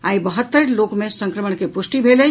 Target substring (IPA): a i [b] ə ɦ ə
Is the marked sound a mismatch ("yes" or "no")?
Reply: no